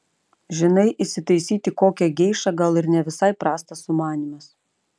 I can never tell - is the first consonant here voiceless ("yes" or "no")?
no